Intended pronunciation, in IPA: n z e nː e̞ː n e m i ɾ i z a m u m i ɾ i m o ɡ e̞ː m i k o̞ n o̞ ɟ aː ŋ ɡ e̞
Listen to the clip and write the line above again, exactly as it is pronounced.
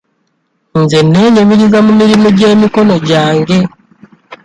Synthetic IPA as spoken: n z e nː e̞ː ɲ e m i ɾ i z a m u m i ɾ i m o ɟ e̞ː m i k o̞ n o̞ ɟ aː ŋ ɡ e̞